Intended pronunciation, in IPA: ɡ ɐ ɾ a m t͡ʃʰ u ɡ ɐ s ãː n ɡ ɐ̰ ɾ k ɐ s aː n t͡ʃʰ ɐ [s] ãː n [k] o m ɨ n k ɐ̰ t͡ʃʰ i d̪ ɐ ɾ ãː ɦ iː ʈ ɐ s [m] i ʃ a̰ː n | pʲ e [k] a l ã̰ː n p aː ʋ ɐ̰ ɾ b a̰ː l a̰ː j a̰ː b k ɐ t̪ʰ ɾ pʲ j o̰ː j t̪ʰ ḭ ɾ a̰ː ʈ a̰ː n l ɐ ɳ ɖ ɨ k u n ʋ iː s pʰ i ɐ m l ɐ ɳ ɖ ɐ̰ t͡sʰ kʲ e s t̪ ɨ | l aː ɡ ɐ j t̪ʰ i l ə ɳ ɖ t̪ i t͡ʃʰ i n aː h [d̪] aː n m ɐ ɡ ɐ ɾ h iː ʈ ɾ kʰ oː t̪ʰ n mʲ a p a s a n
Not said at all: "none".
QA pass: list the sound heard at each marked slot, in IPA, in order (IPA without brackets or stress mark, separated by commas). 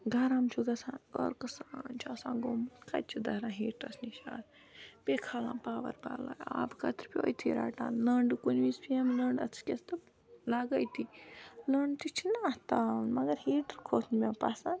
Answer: s, ɡ, n, kʰ, t̪